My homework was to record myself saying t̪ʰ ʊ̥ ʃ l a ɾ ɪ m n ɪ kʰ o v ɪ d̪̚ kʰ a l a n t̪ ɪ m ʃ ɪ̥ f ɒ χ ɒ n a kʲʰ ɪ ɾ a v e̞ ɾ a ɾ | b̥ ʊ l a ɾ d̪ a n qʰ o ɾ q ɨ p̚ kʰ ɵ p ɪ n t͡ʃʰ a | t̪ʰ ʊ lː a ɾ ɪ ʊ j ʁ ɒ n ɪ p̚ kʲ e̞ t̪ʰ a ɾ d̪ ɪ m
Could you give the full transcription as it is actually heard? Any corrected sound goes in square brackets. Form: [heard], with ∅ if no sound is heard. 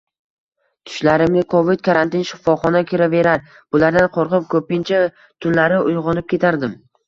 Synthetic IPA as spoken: t̪ʰ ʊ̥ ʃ l a ɾ ɪ m n ɪ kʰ o v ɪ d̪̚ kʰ a [ɾ] a n t̪ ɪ [n] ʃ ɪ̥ f ɒ χ ɒ n a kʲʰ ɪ ɾ a v e̞ ɾ a ɾ | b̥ ʊ l a ɾ d̪ a n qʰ o ɾ q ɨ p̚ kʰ ɵ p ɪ n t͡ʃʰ a | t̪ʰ ʊ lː a ɾ ɪ ʊ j ʁ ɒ n ɪ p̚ kʲ e̞ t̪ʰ a ɾ d̪ ɪ m

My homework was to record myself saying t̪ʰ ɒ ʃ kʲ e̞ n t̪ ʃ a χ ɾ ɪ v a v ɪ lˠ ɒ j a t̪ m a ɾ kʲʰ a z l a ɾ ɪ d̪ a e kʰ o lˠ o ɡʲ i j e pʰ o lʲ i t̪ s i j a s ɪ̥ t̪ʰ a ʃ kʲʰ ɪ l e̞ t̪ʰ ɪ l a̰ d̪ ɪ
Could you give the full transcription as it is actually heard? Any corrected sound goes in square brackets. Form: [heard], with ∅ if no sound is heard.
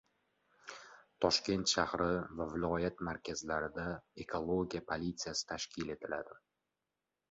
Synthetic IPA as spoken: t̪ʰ ɒ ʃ kʲ e̞ n t̪ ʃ a [h] ɾ ɪ v a v ɪ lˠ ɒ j a t̪ m a ɾ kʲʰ a z l a ɾ ɪ d̪ a e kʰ o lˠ o ɡʲ i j [a] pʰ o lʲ i t̪ s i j a s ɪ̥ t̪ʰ a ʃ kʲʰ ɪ l e̞ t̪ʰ ɪ l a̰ d̪ ɪ

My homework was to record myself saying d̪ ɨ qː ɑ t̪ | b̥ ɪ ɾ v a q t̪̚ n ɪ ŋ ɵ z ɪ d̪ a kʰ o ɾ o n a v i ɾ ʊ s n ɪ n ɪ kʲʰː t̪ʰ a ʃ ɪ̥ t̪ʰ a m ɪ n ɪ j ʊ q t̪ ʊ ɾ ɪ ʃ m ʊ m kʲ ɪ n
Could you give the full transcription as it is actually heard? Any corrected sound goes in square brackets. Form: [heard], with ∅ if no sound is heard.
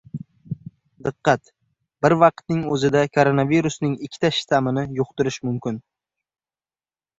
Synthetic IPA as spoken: d̪ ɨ qː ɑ t̪ | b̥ ɪ ɾ v [ɑ] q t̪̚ n ɪ ŋ ɵ z ɪ d̪ a kʰ o ɾ o n a v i ɾ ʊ s n ɪ [ŋ] ɪ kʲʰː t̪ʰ a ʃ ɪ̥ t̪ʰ a m ɪ n ɪ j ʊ q t̪ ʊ ɾ ɪ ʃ m ʊ m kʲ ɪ n

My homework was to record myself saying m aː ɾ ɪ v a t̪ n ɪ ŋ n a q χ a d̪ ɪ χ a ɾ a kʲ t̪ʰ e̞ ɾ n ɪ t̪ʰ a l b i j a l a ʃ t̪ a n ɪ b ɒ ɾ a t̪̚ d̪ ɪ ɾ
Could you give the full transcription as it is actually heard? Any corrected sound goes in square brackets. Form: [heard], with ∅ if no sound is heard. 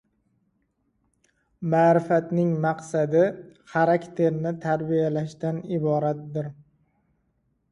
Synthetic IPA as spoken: m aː ɾ ɪ [f] a t̪ n ɪ ŋ [m] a q [s] a d̪ ɪ χ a ɾ a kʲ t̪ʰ e̞ ɾ n ɪ t̪ʰ a [ɾ] b i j a l a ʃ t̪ a n ɪ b ɒ ɾ a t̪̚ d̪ ɪ ɾ

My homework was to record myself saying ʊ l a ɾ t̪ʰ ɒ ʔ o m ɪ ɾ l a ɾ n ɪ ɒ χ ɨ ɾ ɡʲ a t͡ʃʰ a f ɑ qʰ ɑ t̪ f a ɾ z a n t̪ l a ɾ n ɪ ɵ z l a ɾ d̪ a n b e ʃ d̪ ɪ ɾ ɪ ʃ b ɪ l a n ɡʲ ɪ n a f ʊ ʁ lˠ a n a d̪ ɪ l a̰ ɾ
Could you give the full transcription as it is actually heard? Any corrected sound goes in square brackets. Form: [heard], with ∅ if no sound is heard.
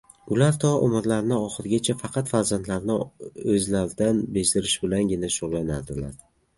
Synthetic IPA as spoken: ʊ l a ɾ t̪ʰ ɒ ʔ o m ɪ ɾ l a ɾ n ɪ ɒ χ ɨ ɾ ɡʲ a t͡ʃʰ a f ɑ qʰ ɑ t̪ f a ɾ z a n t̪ l a ɾ n ɪ ɵ z l a ɾ d̪ a n b e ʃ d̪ ɪ ɾ ɪ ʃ b ɪ l a n ɡʲ ɪ n a [ʃ] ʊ ʁ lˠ a n a d̪ ɪ l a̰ ɾ

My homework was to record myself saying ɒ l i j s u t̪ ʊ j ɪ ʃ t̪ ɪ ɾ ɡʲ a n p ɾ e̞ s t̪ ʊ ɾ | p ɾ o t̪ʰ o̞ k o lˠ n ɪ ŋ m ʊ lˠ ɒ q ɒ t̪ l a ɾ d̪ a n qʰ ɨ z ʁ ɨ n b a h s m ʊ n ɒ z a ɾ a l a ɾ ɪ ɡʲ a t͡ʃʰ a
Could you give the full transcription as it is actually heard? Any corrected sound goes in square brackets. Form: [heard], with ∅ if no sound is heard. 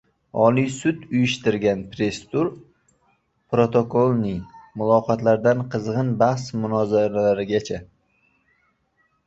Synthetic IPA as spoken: ɒ l i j s [ʊ] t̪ ʊ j ɪ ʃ t̪ ɪ ɾ ɡʲ a n p ɾ e̞ s t̪ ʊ ɾ | p ɾ o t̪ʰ o̞ k o lˠ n ɪ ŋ m ʊ lˠ ɒ q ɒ t̪ l a ɾ d̪ a n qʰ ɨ z ʁ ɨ n b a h s m ʊ n ɒ z a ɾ a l a ɾ ɪ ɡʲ a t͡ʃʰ a

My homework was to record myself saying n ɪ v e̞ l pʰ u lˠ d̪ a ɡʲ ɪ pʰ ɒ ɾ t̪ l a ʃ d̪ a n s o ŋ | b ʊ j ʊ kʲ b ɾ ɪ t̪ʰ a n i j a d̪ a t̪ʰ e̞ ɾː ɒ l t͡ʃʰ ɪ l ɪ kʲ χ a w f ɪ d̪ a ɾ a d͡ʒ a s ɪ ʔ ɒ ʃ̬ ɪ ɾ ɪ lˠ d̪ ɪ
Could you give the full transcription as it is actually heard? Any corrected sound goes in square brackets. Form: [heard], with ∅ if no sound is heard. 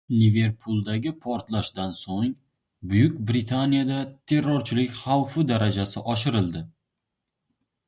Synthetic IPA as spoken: n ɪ v e̞ [ɾ] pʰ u lˠ d̪ a ɡʲ ɪ pʰ ɒ ɾ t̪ l a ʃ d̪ a n s o ŋ | b ʊ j ʊ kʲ b ɾ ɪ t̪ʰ a n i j a d̪ a t̪ʰ e̞ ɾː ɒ [ɾ] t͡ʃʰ ɪ l ɪ kʲ χ a w f ɪ d̪ a ɾ a d͡ʒ a s ɪ ʔ ɒ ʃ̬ ɪ ɾ ɪ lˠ d̪ ɪ

